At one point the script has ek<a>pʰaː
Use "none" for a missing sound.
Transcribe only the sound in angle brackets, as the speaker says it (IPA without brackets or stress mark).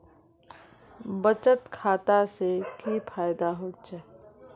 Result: i